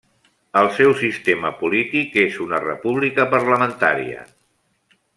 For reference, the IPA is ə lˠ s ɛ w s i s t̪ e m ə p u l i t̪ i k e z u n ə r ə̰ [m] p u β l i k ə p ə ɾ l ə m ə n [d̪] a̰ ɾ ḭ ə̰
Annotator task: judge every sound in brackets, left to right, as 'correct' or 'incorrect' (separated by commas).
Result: incorrect, incorrect